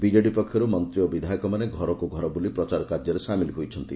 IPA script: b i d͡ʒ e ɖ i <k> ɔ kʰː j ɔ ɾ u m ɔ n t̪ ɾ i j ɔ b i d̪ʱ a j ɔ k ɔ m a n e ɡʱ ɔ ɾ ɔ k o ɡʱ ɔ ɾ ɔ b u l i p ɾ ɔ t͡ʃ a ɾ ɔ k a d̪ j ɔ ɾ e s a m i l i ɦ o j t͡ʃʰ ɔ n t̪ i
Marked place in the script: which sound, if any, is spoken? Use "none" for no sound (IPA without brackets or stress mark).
p